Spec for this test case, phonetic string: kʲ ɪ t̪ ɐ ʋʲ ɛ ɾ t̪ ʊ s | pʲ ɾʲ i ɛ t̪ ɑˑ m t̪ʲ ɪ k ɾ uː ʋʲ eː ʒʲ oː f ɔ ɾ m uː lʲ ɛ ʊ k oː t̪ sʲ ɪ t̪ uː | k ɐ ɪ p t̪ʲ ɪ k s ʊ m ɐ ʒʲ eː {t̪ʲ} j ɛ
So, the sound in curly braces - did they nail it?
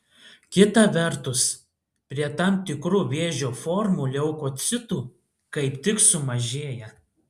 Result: no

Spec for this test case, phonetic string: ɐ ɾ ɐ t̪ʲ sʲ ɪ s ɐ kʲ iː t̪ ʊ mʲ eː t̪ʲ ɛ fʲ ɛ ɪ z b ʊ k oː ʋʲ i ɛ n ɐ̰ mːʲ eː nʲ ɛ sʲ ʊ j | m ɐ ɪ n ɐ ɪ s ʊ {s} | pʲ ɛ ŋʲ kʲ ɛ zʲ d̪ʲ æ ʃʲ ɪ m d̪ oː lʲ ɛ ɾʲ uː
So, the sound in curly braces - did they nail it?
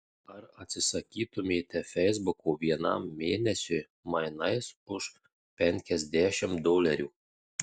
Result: no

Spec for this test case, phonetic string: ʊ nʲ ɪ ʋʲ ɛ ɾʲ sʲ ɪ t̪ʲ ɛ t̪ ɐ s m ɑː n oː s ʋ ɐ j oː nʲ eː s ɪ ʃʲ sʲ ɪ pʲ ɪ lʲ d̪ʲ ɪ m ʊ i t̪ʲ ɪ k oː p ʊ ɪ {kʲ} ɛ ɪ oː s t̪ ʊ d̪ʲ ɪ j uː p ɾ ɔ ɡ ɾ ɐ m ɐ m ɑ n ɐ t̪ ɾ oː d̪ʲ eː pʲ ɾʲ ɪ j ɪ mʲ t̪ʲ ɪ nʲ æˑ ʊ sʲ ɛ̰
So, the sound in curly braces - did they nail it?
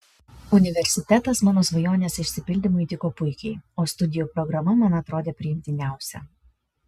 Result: yes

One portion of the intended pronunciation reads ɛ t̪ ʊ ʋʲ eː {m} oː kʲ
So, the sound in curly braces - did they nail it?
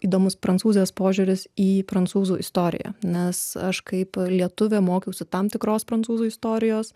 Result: yes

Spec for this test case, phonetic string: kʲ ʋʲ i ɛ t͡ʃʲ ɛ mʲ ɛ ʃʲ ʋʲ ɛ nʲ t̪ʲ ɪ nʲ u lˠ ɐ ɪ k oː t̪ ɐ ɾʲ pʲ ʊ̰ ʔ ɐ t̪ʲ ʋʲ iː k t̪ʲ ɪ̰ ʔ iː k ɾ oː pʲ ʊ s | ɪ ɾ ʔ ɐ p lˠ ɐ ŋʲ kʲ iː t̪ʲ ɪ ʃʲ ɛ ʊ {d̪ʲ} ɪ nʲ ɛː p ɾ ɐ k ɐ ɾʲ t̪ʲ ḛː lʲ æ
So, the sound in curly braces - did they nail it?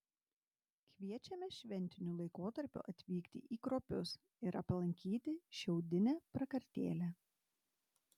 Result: yes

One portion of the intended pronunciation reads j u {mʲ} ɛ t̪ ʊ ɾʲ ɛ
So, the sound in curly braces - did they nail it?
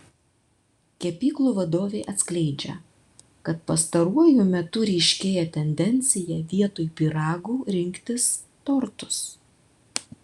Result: yes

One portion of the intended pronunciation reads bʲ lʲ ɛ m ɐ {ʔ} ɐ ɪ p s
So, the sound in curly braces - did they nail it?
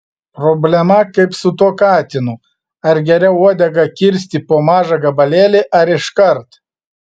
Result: no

